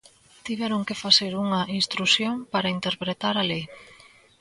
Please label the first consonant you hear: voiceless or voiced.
voiceless